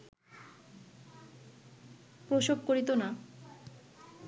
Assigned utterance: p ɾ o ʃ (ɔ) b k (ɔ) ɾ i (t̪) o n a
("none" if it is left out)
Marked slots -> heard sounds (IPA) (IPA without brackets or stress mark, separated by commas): o, o, t̪